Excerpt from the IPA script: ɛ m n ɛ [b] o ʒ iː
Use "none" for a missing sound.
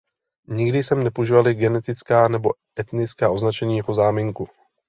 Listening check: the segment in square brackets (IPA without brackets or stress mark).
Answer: p